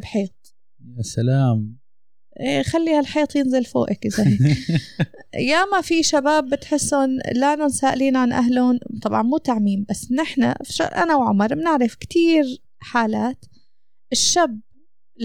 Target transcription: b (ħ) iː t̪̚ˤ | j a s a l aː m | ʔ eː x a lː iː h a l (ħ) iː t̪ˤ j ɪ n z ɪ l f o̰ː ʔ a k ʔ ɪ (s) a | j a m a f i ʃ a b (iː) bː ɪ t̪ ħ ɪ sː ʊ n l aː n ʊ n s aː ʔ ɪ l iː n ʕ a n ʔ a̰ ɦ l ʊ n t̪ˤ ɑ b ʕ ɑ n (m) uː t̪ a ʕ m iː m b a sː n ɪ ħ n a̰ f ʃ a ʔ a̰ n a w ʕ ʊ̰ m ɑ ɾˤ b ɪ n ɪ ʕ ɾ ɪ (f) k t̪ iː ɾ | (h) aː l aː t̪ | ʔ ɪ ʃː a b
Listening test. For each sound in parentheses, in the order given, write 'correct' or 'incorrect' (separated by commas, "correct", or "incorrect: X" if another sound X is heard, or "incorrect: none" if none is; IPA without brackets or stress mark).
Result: correct, correct, incorrect: z, incorrect: aː, correct, correct, incorrect: ħ